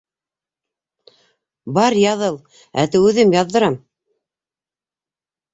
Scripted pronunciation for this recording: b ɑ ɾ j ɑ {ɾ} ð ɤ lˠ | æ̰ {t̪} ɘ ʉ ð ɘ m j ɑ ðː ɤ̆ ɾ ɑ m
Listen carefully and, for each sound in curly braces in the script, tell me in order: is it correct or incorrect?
incorrect: none, correct

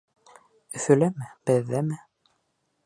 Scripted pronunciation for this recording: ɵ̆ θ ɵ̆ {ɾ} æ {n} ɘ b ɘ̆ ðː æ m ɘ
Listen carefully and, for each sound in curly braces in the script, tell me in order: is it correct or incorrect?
incorrect: l, incorrect: m

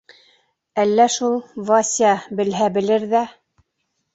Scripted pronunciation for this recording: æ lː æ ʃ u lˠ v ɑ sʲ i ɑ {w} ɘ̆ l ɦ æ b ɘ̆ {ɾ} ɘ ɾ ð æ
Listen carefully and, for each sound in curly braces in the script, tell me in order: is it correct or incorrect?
incorrect: b, incorrect: l

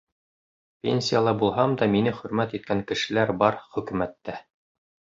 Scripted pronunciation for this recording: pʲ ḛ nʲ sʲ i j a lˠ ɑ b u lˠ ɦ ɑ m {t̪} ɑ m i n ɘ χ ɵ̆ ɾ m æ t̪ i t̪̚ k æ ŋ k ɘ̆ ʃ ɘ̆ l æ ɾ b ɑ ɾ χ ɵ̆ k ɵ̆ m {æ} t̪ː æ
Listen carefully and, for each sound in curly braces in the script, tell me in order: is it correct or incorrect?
incorrect: d̪, correct

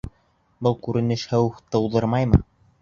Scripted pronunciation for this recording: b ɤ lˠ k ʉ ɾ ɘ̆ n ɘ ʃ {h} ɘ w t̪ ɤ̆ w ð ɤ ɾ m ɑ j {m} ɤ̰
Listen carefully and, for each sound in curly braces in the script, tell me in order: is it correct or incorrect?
correct, correct

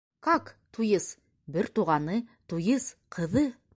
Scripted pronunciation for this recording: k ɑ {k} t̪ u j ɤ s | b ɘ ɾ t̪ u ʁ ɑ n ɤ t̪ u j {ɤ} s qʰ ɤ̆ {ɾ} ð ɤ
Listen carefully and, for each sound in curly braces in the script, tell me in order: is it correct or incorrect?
correct, correct, incorrect: none

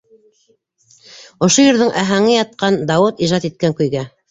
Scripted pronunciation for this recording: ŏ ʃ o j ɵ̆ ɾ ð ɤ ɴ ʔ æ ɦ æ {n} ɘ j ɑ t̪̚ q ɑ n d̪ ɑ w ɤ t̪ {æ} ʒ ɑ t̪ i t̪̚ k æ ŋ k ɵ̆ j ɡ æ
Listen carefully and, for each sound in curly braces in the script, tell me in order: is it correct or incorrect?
incorrect: ŋ, incorrect: i

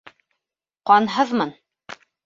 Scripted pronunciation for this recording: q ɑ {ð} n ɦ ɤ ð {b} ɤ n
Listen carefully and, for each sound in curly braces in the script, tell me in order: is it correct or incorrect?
incorrect: none, incorrect: m

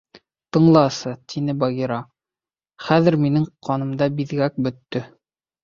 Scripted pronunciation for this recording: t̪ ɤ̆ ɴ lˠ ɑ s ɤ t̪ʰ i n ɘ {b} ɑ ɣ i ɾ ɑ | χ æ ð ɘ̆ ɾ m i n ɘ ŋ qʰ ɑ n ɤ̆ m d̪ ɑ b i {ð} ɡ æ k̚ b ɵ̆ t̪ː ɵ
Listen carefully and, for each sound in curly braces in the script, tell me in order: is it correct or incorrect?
correct, correct

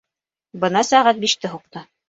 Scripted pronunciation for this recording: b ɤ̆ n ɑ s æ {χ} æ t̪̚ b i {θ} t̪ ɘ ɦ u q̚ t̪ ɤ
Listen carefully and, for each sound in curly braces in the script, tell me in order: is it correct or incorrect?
incorrect: ʁ, incorrect: ʃ

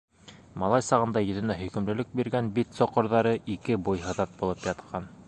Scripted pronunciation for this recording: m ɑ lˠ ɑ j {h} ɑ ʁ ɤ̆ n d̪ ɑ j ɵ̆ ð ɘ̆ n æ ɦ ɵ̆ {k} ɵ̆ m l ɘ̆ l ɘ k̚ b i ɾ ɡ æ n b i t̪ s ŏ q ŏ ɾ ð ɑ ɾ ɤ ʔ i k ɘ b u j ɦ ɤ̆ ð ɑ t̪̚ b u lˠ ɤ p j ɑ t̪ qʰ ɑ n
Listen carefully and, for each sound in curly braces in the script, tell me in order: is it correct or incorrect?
incorrect: s, correct

